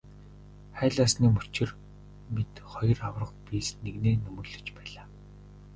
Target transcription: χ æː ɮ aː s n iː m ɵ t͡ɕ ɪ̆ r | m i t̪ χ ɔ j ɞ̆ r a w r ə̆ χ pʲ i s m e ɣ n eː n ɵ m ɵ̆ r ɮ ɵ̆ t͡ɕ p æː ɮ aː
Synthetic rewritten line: χ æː ɮ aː s n iː m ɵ t͡ɕ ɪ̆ r | m i t̪ χ ɔ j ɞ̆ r a w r ə̆ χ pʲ i s n e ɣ n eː n ɵ m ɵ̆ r ɮ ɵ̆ t͡ɕ p æː ɮ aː

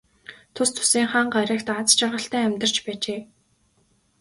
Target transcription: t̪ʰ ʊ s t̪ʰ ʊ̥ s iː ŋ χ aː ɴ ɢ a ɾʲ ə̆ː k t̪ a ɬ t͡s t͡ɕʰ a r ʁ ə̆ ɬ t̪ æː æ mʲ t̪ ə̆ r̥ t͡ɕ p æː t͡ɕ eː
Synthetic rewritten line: t̪ʰ ʊ s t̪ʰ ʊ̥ s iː ŋ χ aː ɴ ɢ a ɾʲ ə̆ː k t̪ a t͡s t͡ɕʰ a r ʁ ə̆ ɬ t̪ æː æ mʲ t̪ ə̆ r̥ t͡ɕ p æː t͡ɕ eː

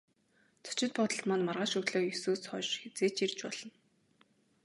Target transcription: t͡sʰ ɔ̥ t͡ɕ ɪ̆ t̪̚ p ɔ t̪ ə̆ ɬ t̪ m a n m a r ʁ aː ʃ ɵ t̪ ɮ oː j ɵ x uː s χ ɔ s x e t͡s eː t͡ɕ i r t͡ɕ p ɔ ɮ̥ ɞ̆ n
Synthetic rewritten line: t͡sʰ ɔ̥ t͡ɕ ɪ̆ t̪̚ p ɔ t̪ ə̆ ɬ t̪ m a n m a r ʁ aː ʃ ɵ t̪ ɮ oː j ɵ s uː s χ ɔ ʃ x e t͡s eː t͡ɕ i r t͡ɕ p ɔ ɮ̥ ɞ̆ n

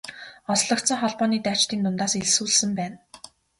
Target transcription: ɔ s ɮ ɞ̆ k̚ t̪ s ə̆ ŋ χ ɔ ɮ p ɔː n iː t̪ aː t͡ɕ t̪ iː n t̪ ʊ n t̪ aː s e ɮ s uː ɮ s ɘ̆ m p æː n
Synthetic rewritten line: ɔ s ɮ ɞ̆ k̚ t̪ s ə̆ ŋ χ ɔ ɮ p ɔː n iː t̪ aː t͡ɕ t̪ iː n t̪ ʊ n t̪ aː s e ɮ s uː ɮ s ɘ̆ m p æː n

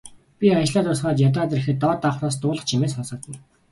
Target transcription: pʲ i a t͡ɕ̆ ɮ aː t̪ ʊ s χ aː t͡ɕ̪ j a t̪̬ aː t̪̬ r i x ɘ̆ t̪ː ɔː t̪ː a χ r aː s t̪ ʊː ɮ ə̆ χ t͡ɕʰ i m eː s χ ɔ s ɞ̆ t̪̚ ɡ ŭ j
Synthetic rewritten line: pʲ i a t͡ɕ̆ ɮ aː t̪ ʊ s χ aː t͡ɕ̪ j a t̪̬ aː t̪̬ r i x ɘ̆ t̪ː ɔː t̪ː a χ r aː s t̪ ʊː ɮ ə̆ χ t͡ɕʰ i m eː s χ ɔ s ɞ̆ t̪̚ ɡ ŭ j

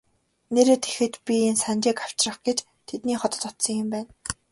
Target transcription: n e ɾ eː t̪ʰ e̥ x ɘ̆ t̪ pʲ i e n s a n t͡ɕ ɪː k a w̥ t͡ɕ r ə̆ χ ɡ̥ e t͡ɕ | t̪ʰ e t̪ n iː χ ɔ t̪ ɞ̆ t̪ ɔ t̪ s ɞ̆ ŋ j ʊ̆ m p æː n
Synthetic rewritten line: n e ɾ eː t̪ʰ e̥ x ɘ̆ t̪ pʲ i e n s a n t͡ɕ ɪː k a w̥ t͡ɕ r ə̆ χ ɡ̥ e t͡ɕ | t̪ʰ e t̪ n iː χ ɔ t̪ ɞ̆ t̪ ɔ t̪ s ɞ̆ ŋ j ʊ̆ m p æː n

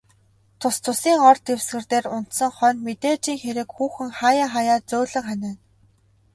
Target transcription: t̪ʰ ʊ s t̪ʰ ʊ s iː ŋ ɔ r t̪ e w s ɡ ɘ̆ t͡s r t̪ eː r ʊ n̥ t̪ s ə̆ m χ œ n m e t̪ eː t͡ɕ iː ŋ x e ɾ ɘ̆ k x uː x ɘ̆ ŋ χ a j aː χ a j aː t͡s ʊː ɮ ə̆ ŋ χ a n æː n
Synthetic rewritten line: t̪ʰ ʊ s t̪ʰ ʊ s iː ŋ ɔ r t̪ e w s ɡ ɘ̆ r t̪ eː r ʊ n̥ t̪ s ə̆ ŋ χ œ n m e t̪ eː t͡ɕ iː ŋ x e ɾ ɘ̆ k x uː x ɘ̆ ŋ χ a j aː χ a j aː t͡s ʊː ɮ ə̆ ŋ χ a n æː n

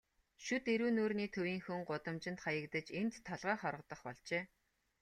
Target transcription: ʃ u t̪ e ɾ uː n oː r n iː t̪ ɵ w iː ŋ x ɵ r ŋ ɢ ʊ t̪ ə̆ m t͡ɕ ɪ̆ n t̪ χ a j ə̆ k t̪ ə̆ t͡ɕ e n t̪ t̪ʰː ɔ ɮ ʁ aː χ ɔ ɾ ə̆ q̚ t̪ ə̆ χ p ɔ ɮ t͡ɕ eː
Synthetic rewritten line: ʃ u t̪ e ɾ uː n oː r n iː t̪ʰ ɵ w iː ŋ x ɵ ŋ ɢ ʊ t̪ ə̆ m t͡ɕ ɪ̆ n t̪ χ a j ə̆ k t̪ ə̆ t͡ɕ e n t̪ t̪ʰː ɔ ɮ ʁ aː χ ɔ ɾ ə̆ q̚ t̪ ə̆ χ p ɔ ɮ t͡ɕ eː

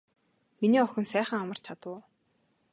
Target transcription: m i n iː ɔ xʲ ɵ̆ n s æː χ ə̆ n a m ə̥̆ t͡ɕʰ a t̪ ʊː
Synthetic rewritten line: m i n iː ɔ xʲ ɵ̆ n s æː χ ə̆ ŋ a m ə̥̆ t͡ɕʰ a t̪ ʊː

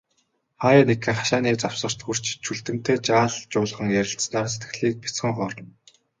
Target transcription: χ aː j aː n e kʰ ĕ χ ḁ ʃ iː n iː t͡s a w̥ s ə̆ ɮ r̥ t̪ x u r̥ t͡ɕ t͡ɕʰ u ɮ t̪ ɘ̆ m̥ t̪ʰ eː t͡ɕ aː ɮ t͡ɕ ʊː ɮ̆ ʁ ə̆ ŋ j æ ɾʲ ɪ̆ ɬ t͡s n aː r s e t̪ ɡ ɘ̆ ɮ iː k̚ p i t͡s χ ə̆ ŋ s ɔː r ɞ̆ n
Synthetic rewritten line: χ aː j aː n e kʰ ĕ χ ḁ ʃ aː n iː t͡s a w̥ s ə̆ r̥ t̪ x u r̥ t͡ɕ t͡ɕʰ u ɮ t̪ ɘ̆ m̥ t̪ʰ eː t͡ɕ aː ɮ t͡ɕ ʊː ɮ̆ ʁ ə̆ ŋ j æ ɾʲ ɪ̆ ɬ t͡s n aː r s e t̪ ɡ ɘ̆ ɮ iː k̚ p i t͡s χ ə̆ ŋ χ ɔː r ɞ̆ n

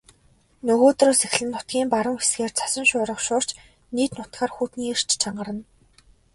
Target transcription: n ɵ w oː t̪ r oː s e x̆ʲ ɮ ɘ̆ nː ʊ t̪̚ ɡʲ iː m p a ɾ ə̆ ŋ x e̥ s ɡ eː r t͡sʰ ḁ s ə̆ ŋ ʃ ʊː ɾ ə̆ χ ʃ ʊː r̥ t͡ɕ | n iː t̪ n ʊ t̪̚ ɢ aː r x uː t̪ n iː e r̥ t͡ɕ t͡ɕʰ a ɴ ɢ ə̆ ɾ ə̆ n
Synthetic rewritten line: n ɵ ɣ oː t̪ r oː s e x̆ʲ ɮ ɘ̆ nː ʊ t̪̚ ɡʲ iː m p a ɾ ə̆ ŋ x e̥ s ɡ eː r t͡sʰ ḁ s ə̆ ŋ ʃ ʊː ɾ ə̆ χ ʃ ʊː r̥ t͡ɕ | n iː t̪ n ʊ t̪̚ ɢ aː r x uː t̪ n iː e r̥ t͡ɕ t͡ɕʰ a ɴ ɢ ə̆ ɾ ə̆ n

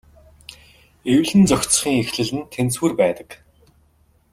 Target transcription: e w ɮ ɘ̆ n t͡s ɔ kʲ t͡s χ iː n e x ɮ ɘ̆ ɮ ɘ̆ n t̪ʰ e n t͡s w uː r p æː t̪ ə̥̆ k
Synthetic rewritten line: e w ɮ ɘ̆ n t͡s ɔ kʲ t͡s χ iː ŋ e x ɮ ɘ̆ ɮ ɘ̆ n t̪ʰ e n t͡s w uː r p æː t̪ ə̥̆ k

